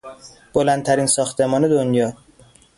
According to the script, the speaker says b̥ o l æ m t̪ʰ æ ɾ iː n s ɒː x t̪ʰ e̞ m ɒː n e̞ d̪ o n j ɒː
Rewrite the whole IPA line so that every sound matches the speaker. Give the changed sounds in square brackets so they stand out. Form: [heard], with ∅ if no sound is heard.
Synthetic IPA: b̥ o l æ [n] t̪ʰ æ ɾ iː n s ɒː x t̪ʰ e̞ m ɒː n e̞ d̪ o n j ɒː